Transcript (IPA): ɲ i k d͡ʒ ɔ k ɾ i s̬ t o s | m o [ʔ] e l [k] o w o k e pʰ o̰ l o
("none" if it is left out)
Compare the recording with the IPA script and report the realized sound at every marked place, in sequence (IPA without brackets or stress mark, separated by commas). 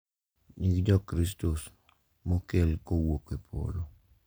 k, k